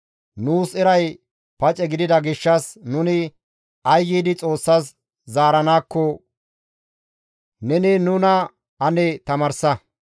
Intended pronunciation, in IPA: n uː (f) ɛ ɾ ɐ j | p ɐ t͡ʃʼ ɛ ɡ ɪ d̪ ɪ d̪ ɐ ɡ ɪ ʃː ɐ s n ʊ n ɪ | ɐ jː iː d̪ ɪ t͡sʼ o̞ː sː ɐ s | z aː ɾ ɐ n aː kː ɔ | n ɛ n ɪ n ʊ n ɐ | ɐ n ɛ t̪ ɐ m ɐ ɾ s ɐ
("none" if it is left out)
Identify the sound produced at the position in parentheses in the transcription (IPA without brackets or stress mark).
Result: s